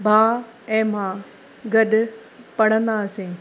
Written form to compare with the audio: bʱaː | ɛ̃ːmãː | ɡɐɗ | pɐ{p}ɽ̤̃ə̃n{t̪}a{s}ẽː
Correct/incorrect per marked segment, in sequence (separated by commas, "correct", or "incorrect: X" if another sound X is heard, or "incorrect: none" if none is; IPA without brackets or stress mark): incorrect: none, incorrect: d̪, correct